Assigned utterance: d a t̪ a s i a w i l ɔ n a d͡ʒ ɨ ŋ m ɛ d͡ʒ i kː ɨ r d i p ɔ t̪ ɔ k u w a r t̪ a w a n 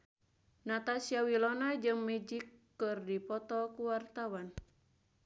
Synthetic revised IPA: n a t̪ a s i a w i l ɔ n a d͡ʒ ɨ ŋ m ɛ d͡ʒ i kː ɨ r d i p ɔ t̪ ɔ k u w a r t̪ a w a n